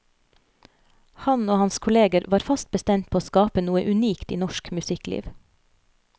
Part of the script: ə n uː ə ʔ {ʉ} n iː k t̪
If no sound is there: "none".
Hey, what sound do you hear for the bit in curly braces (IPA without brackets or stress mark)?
ʉ